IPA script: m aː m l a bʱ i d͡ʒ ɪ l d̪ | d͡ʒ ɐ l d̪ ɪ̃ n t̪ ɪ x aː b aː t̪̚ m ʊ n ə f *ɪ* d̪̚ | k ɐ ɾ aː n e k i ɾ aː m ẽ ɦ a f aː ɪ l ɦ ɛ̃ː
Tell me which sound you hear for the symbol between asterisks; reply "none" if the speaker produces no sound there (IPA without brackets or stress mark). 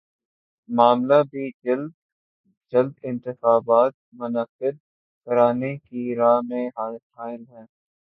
ɪ